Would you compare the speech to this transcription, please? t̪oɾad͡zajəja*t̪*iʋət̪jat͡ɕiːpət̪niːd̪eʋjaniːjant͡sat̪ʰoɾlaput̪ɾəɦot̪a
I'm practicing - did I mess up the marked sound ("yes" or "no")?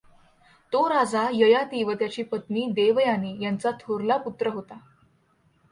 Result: no